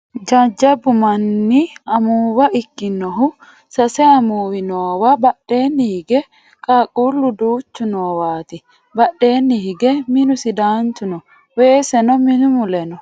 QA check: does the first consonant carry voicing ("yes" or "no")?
yes